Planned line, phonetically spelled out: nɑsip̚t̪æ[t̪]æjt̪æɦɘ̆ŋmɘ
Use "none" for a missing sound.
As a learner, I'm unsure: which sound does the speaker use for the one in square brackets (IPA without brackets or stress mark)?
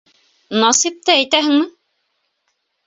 none